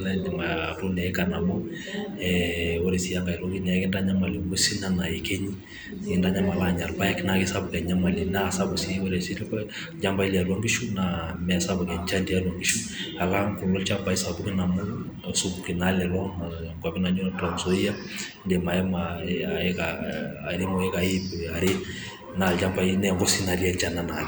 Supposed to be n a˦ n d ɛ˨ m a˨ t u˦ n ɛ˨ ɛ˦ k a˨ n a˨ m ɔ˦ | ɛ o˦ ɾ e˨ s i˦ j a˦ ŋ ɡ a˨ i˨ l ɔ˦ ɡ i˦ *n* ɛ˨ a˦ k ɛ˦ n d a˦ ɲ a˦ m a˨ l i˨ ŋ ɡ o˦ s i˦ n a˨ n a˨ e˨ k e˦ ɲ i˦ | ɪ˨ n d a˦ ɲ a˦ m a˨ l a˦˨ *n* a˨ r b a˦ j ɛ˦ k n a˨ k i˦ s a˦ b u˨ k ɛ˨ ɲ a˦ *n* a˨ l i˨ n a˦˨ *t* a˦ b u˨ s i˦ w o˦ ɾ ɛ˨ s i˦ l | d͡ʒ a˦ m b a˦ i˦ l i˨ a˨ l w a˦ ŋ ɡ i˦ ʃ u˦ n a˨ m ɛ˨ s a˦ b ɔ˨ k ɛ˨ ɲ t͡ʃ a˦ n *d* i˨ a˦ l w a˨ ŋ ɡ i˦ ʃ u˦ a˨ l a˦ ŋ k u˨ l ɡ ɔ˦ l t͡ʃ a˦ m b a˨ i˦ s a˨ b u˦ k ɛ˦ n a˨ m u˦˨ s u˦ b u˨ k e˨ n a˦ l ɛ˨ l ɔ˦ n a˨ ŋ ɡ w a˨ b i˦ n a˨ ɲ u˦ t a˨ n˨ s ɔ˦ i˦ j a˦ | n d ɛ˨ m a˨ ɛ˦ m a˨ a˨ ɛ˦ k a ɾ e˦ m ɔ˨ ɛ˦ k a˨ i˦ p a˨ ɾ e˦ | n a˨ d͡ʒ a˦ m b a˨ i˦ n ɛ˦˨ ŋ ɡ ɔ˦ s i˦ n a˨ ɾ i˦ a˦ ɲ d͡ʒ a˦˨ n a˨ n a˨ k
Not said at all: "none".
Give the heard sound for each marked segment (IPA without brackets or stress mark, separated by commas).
n, ɲ, m, s, d